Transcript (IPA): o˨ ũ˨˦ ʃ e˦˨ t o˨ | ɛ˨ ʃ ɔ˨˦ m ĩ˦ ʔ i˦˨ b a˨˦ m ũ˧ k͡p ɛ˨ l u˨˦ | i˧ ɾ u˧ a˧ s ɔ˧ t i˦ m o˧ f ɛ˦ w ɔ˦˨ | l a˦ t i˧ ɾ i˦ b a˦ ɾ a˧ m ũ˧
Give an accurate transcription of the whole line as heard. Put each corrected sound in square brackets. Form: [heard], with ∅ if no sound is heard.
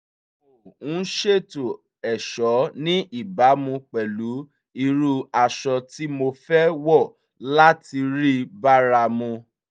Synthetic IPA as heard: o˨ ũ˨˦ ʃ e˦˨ t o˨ | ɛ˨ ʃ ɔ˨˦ [n] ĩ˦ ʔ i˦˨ b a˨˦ m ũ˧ k͡p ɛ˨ l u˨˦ | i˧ ɾ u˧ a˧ [ʃ] ɔ˧ t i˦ m o˧ f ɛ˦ w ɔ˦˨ | l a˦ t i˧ ɾ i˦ b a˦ ɾ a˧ m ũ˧